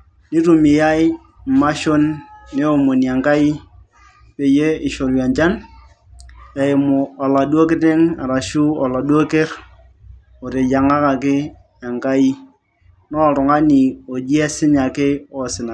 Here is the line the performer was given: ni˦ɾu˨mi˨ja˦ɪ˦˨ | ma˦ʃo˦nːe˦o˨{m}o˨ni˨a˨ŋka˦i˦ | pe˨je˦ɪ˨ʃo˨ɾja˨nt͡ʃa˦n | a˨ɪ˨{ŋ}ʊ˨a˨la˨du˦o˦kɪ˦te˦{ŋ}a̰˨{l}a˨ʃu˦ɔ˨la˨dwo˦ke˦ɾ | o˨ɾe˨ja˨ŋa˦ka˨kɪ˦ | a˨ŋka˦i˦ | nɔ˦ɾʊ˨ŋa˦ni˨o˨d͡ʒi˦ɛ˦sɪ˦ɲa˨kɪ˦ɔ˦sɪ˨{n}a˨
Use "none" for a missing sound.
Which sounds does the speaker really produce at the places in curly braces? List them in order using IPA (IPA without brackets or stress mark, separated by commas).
m, m, ŋ, ɾ, n